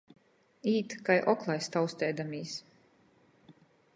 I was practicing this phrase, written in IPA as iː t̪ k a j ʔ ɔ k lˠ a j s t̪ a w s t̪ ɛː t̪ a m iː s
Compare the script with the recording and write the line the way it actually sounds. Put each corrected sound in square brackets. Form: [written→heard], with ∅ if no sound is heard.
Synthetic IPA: iː t̪ k a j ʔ ɔ k lˠ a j s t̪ a w s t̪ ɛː [t̪→d̪] a m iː s